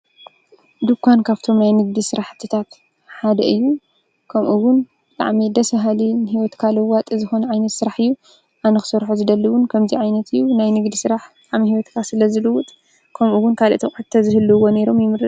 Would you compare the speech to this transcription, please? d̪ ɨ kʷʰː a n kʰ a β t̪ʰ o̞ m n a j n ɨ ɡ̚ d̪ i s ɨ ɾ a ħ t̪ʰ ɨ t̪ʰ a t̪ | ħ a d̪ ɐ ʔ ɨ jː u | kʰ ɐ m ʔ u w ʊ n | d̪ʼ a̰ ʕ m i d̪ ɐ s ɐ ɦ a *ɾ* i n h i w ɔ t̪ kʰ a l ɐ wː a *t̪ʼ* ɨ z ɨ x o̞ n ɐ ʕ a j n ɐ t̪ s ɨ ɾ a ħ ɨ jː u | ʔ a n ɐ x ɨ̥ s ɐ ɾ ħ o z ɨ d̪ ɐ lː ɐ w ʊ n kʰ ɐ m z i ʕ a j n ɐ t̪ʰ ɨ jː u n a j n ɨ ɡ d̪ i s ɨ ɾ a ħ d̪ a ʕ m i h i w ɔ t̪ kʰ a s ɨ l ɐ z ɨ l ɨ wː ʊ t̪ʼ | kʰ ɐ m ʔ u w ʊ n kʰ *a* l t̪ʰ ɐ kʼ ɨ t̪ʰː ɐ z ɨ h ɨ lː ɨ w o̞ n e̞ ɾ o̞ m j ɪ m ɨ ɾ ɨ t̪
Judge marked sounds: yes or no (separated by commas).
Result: no, yes, yes